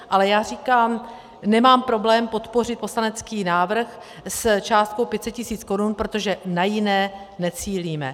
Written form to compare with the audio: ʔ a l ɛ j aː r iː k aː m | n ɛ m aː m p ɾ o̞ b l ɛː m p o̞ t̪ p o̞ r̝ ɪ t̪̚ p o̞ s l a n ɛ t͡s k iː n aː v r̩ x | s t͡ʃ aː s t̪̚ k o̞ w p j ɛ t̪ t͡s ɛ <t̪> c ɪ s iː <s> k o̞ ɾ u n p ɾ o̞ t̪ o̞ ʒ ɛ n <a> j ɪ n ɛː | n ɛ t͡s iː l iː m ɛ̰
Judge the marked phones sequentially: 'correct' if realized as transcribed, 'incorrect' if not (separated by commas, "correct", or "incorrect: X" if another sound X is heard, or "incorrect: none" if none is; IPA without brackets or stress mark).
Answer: correct, incorrect: t͡s, correct